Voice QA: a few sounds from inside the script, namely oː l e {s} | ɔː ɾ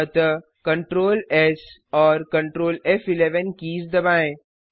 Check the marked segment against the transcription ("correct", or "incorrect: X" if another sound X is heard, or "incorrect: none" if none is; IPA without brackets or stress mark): correct